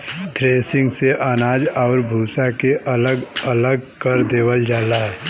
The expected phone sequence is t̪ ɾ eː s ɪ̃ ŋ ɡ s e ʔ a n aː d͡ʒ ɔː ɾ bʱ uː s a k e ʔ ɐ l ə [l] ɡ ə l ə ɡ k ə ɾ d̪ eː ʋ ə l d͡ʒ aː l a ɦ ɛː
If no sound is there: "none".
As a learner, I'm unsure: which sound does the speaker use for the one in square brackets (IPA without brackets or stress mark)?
none